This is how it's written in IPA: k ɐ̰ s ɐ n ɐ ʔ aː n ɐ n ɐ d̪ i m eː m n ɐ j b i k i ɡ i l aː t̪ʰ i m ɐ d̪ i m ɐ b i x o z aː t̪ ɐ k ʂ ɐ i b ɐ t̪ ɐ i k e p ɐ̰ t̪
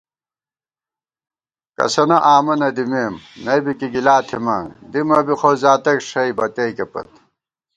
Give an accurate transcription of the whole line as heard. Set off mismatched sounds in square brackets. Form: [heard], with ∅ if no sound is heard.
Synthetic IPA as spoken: k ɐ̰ s ɐ n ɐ ʔ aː [m] ɐ n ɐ d̪ i m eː m n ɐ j b i k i ɡ i l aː t̪ʰ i m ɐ d̪ i m ɐ b i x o z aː t̪ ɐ k ʂ ɐ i b ɐ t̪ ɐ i k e p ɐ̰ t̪

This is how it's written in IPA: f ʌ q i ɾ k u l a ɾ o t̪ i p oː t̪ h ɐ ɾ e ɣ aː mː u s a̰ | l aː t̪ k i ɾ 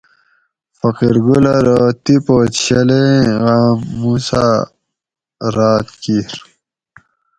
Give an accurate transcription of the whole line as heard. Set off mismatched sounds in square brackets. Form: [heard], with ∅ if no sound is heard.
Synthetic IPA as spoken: f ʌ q i ɾ [ɡ] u l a ɾ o t̪ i p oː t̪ [ɕ] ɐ [l] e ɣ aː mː u s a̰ | [ɾ] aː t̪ k i ɾ

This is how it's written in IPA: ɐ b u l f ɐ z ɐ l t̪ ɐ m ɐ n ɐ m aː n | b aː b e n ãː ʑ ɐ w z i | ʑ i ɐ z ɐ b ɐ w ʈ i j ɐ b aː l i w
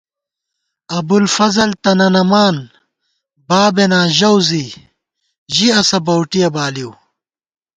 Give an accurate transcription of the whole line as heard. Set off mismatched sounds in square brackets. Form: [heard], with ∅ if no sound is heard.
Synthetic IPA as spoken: ɐ b u l f ɐ z ɐ l t̪ ɐ [n] ɐ n ɐ m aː n | b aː b e n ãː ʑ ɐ w z i | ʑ i ɐ [s] ɐ b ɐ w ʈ i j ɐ b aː l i w

